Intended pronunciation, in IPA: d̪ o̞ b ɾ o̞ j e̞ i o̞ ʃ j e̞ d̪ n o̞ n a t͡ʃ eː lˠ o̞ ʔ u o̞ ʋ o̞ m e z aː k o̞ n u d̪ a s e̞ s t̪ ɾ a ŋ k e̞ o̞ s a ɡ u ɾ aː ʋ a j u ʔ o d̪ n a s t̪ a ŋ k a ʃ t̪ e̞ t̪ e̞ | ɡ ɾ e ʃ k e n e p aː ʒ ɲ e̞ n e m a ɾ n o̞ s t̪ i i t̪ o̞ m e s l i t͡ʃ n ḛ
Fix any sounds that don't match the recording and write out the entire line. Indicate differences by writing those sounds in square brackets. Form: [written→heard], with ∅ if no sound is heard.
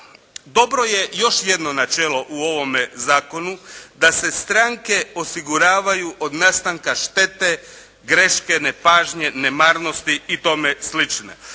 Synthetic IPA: d̪ o̞ b ɾ o̞ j e̞ [i→j] o̞ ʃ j e̞ d̪ n o̞ n a t͡ʃ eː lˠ o̞ ʔ u o̞ ʋ o̞ m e z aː k o̞ n u d̪ a s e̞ s t̪ ɾ a ŋ k e̞ o̞ s [a→i] ɡ u ɾ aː ʋ a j u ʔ o d̪ n a s t̪ a ŋ k a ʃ t̪ e̞ t̪ e̞ | ɡ ɾ e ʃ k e n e p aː ʒ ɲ e̞ n e m a ɾ n o̞ s t̪ i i t̪ o̞ m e s l i t͡ʃ n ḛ